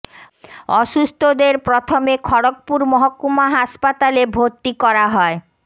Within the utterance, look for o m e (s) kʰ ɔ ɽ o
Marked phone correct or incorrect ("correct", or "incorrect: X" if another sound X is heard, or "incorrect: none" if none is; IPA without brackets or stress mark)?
incorrect: none